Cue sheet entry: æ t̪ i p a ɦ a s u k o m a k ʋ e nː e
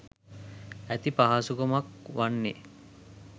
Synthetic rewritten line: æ t̪ i p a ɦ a s u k o m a k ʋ a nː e

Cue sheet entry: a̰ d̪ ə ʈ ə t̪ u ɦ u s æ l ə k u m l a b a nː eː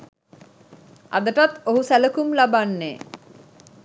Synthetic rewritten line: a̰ d̪ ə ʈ a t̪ o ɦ u s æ l ə k u m l a b a nː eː

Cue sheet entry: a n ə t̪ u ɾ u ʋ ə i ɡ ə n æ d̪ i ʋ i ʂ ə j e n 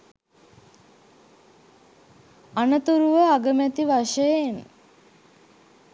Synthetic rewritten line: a n ə t̪ u ɾ u ʋ ə a ɡ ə m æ t̪ i ʋ a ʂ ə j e n

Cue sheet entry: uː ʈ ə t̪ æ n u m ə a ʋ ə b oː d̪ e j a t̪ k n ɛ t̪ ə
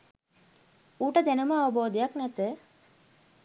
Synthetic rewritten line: uː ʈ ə d̪ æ n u m ə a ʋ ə b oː d̪ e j a k n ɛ t̪ ə

